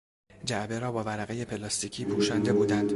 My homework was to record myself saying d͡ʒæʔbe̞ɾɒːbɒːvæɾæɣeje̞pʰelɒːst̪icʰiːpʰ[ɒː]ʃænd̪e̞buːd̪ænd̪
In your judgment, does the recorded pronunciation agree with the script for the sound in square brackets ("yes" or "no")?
no